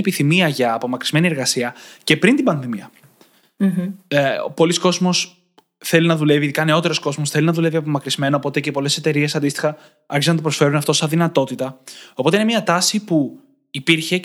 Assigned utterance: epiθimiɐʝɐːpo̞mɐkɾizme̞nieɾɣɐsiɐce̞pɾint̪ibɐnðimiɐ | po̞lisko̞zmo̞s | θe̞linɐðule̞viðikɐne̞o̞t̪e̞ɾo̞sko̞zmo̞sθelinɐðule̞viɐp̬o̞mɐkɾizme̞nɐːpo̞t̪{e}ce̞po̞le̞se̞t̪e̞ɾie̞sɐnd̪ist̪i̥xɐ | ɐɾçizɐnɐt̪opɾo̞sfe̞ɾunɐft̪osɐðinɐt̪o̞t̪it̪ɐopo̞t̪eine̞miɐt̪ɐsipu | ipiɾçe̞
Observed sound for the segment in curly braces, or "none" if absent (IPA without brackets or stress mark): e